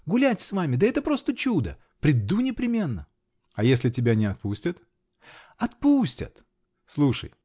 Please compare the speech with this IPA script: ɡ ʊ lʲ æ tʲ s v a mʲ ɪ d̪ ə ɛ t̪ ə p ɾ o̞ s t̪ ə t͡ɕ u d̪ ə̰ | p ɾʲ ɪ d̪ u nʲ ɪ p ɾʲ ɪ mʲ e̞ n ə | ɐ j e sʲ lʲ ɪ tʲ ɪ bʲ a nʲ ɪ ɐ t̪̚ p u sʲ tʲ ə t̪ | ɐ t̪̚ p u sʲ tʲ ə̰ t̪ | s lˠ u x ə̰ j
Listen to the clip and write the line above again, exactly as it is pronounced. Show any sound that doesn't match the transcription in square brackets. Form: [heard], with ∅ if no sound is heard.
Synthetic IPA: ɡ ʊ lʲ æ tʲ s v a mʲ ɪ d̪ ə ɛ t̪ ə p ɾ o̞ s t̪ ə t͡ɕ u d̪ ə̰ | p ɾʲ ɪ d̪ u nʲ ɪ p ɾʲ ɪ mʲ e̞ [nː] ə | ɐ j e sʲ lʲ ɪ tʲ ɪ bʲ a nʲ ɪ ɐ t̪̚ p u sʲ tʲ ə t̪ | ɐ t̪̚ p u sʲ tʲ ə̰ t̪ | s lˠ u [ʂ] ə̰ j